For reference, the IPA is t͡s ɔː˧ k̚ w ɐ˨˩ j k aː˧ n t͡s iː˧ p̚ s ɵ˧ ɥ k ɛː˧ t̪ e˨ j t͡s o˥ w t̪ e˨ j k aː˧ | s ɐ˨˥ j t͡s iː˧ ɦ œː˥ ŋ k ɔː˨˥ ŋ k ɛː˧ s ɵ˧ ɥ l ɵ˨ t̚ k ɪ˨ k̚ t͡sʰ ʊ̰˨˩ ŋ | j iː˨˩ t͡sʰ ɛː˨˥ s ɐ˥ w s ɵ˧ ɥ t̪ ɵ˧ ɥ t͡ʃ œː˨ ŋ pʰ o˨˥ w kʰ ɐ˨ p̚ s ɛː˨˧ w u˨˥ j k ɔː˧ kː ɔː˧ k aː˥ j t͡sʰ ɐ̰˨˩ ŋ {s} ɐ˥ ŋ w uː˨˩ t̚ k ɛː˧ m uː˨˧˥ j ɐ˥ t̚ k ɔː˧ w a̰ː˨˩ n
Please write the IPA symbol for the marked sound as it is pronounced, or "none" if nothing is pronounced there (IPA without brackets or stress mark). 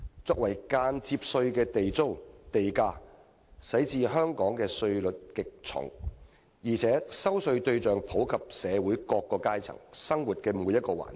s